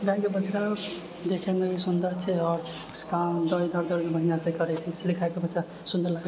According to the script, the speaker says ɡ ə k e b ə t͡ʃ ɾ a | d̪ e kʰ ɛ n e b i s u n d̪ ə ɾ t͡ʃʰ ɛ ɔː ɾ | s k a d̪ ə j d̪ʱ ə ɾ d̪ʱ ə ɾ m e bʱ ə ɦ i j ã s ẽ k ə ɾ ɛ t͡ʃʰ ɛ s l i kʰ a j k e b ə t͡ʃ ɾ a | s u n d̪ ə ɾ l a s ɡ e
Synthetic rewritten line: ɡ a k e b ə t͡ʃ ɾ a | d̪ e kʰ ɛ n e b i s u n d̪ ə ɾ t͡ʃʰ ɛ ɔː ɾ | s k a d̪ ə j d̪ʱ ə ɾ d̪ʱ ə ɾ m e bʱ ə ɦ i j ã s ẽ k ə ɾ ɛ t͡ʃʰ ɛ s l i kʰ a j k e b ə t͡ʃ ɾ a | s u n d̪ ə ɾ l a ɡ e